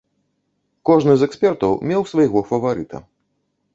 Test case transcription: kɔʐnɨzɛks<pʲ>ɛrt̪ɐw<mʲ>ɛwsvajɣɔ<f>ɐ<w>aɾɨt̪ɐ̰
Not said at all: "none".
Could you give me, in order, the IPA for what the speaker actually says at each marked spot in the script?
pʲ, mʲ, f, v

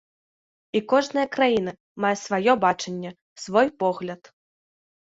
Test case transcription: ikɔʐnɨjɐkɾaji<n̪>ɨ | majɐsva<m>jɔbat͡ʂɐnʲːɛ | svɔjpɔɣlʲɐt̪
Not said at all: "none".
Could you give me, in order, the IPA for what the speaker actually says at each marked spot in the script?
n̪, none

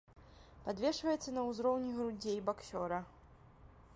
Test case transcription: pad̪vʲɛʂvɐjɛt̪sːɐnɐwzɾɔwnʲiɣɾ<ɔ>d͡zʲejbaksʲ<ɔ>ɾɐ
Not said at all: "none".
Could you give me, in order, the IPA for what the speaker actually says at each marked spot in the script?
u, ɔ

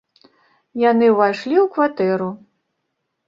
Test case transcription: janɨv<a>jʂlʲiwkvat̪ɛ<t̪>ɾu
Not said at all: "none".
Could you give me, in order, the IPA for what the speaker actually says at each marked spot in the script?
a, none

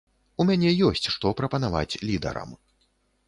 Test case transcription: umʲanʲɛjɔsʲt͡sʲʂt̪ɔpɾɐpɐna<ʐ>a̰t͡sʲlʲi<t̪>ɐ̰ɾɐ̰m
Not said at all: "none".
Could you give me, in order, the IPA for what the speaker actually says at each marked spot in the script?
v, d̪

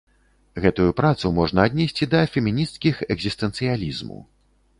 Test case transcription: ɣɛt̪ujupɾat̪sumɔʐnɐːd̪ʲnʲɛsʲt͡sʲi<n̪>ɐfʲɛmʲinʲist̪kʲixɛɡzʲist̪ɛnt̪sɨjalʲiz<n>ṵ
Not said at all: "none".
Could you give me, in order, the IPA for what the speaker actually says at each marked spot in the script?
d̪, m

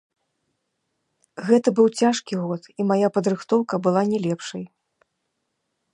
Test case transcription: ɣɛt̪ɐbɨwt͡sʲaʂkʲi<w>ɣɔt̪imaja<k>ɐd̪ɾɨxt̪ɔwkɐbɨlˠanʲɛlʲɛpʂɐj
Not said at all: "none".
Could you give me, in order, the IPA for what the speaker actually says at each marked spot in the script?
none, p

